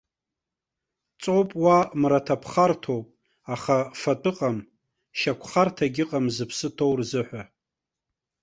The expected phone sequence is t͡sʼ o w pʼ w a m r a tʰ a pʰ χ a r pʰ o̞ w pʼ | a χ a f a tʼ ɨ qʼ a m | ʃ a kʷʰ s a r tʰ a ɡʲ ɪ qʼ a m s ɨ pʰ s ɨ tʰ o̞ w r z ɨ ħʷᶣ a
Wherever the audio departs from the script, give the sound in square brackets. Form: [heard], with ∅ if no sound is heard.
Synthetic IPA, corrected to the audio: t͡sʼ o w pʼ w a m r a tʰ a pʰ χ a r [tʰ] o̞ w pʼ | a χ a f a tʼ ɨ qʼ a m | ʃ a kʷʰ [χ] a r tʰ a ɡʲ ɪ qʼ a m [z] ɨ pʰ s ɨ tʰ o̞ w r z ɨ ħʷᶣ a